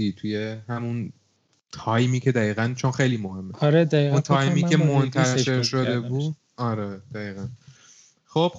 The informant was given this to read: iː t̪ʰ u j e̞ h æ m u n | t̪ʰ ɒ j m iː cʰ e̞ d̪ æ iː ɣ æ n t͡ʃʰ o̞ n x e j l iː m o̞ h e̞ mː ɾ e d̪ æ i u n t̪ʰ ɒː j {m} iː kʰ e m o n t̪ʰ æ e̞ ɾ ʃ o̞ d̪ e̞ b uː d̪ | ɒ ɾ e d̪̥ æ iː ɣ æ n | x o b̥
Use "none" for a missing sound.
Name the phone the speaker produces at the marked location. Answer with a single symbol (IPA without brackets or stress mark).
m